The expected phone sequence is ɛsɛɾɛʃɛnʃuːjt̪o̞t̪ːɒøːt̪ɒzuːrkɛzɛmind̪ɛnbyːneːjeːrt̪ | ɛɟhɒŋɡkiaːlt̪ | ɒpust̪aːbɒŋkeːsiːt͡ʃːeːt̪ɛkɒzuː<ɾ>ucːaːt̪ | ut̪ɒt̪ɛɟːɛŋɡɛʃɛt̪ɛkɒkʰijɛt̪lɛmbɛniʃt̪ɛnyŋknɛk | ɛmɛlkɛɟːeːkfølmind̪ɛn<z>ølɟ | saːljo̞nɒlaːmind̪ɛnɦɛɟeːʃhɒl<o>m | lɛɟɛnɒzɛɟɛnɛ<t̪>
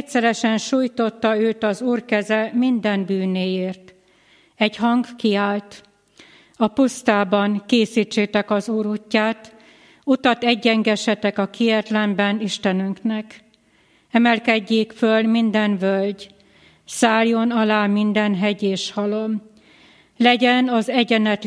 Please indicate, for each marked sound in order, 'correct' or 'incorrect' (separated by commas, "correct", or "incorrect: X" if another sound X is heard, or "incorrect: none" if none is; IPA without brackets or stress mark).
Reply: correct, incorrect: v, correct, correct